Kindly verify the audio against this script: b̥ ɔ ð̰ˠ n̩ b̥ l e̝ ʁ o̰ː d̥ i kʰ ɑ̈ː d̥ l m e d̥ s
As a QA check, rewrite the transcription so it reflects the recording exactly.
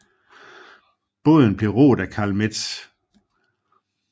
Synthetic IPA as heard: b̥ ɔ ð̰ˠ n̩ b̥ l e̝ ʁ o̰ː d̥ æ kʰ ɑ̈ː l m e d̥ s